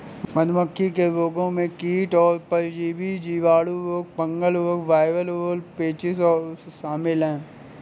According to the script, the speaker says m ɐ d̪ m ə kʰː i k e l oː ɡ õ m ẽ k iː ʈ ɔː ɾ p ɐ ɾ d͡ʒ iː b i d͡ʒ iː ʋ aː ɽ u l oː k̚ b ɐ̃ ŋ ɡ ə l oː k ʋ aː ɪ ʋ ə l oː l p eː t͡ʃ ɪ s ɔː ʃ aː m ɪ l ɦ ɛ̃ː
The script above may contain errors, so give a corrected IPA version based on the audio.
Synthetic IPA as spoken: m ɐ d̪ m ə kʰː i k e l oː ɡ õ m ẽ k iː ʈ ɔː ɾ p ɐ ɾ d͡ʒ iː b i d͡ʒ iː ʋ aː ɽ u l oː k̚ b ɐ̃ ŋ ɡ ə l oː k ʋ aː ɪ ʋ ə l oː l p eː t͡ʃ ɪ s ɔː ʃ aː m ɪ l ɦ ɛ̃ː